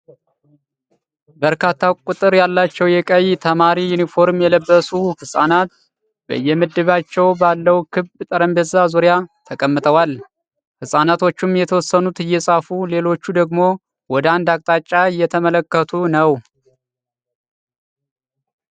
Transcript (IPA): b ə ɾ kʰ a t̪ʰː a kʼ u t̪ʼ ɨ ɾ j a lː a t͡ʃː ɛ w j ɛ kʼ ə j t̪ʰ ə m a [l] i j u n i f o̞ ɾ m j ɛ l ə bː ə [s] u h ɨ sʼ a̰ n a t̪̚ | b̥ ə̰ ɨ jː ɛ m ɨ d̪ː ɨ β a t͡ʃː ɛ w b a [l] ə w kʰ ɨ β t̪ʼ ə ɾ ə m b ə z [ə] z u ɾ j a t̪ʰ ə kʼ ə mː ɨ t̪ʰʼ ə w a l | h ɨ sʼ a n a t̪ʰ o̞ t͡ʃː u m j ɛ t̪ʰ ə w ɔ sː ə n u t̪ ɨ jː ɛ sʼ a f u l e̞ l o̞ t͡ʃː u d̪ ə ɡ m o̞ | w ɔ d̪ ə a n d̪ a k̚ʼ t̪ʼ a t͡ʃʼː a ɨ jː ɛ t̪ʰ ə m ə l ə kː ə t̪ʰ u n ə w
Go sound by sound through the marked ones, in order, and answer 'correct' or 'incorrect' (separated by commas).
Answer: incorrect, correct, incorrect, incorrect